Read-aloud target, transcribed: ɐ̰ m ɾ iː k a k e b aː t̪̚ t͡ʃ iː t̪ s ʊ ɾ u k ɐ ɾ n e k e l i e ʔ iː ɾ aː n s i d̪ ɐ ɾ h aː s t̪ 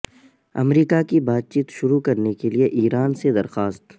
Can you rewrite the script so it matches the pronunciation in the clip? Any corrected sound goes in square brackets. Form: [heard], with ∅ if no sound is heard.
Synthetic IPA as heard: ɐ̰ m ɾ iː k a k [i] b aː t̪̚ t͡ʃ iː t̪ [ʃ] ʊ ɾ u k ɐ ɾ n e k e l i e ʔ iː ɾ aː n s [e] d̪ ɐ ɾ [x] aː s t̪

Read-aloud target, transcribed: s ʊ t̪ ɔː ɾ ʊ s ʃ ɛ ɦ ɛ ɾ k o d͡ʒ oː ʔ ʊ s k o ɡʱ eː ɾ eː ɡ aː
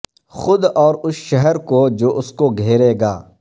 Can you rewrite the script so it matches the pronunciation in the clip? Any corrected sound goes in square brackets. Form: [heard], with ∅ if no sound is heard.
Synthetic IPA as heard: [x] ʊ [d̪] ɔː ɾ ʊ s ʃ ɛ ɦ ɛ ɾ k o d͡ʒ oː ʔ ʊ s k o ɡʱ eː ɾ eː ɡ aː

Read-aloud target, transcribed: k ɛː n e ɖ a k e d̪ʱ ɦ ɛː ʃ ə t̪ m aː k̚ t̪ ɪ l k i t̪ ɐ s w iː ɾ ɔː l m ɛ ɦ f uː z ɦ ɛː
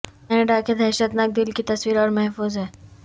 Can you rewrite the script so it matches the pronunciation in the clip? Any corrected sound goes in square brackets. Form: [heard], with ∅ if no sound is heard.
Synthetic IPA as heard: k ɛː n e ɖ a k e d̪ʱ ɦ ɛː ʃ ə t̪ [n] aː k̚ [d̪] ɪ l k i t̪ ɐ s w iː ɾ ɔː [ɾ] m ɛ ɦ f uː z ɦ ɛː

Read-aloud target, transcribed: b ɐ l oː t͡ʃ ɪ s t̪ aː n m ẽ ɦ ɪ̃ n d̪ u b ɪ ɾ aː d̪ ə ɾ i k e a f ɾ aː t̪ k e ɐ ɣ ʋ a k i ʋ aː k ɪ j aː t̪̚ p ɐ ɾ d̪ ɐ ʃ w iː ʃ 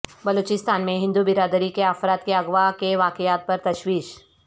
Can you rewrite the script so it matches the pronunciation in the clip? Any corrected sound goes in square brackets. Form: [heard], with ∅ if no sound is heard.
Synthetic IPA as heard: b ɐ l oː t͡ʃ ɪ s t̪ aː n m ẽ ɦ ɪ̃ n d̪ u b ɪ ɾ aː d̪ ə ɾ i k e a f ɾ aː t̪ k e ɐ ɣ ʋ a k [e] ʋ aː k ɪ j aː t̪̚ p ɐ ɾ [t̪] ɐ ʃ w iː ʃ

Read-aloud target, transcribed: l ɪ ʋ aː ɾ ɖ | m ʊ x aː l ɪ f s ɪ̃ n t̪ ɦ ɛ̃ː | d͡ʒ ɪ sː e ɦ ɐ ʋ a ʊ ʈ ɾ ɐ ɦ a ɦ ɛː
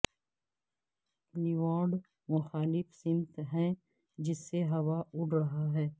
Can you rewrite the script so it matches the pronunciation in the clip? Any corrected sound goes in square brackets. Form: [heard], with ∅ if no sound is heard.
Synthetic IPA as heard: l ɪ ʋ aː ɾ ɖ | m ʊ x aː l ɪ f s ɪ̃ n t̪ ɦ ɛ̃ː | d͡ʒ ɪ sː e ɦ ɐ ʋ a ʊ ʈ ɾ ɐ ɦ a ɦ ɛː

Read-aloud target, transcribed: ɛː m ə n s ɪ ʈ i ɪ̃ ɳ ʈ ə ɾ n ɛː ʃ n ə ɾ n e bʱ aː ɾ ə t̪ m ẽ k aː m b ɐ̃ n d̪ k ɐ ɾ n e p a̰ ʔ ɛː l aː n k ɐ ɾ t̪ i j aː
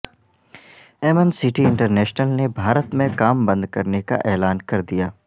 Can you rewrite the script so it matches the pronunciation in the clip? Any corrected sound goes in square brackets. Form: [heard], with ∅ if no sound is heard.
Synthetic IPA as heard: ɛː m ə n s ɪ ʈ i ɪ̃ ɳ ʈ ə ɾ n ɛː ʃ n ə [l] n e bʱ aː ɾ ə t̪ m ẽ k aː m b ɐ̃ n d̪ k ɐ ɾ n e [k] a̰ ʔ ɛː l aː n k ɐ ɾ [d̪] i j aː

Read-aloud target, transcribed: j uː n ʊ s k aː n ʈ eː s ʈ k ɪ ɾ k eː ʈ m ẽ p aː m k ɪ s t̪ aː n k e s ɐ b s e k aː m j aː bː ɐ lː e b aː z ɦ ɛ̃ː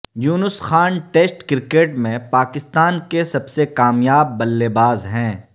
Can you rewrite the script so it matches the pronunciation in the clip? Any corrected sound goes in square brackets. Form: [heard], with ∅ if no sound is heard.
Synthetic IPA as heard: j uː n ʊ s [x] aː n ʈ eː s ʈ k ɪ ɾ k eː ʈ m ẽ p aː [∅] k ɪ s t̪ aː n k e s ɐ b s e k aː m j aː bː ɐ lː e b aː z ɦ ɛ̃ː

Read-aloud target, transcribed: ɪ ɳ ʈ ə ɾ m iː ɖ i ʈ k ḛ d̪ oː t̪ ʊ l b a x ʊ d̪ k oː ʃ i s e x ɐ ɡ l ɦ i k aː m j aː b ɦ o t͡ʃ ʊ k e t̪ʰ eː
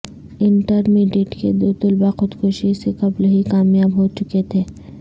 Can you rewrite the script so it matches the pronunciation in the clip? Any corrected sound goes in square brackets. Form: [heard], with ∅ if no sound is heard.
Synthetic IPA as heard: ɪ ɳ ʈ ə ɾ m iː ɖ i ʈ k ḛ d̪ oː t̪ ʊ l b a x ʊ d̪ k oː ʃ i s e [k] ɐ [b] l ɦ i k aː m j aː b ɦ o t͡ʃ ʊ k e t̪ʰ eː

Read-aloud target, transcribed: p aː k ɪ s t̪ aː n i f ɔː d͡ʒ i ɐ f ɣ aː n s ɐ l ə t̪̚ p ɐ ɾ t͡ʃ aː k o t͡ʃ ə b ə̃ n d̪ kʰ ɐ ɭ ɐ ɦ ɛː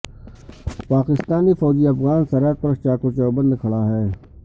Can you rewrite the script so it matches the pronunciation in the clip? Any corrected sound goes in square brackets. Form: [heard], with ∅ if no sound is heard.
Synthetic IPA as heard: p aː k ɪ s t̪ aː n i f ɔː d͡ʒ i ɐ f ɣ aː n s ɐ [ɾ] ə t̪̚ p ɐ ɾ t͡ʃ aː k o t͡ʃ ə b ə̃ n d̪ kʰ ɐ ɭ [a] ɦ ɛː

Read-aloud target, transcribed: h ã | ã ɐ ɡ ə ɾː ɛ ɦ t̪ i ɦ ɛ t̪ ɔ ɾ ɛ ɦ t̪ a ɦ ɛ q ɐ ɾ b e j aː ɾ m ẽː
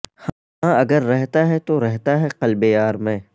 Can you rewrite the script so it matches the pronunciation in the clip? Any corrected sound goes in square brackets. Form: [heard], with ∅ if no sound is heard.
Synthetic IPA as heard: h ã | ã ɐ ɡ ə ɾː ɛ ɦ t̪ [a] ɦ ɛ t̪ [o] ɾ ɛ ɦ t̪ a ɦ ɛ q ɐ [l] b e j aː ɾ m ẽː

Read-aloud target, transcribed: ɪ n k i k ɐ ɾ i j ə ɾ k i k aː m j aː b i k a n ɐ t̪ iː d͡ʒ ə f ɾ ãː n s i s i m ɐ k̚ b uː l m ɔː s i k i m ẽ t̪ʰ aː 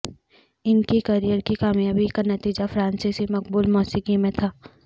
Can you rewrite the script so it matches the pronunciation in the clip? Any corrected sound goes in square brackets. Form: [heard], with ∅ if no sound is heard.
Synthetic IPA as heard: ɪ n k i k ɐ ɾ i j ə ɾ k i k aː m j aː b i k a n ɐ t̪ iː d͡ʒ [a] f ɾ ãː n s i s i m ɐ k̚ b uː l m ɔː s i k i m ẽ t̪ʰ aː

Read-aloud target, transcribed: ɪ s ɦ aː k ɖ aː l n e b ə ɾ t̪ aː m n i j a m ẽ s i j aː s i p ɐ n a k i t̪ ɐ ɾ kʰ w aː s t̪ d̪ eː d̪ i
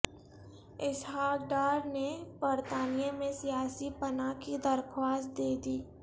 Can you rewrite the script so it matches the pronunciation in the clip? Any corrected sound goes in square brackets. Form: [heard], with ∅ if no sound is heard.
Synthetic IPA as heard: ɪ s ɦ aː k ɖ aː [ɾ] n e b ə ɾ t̪ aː [∅] n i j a m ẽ s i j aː s i p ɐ n a k i [d̪] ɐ ɾ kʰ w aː s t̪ d̪ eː d̪ [iː]

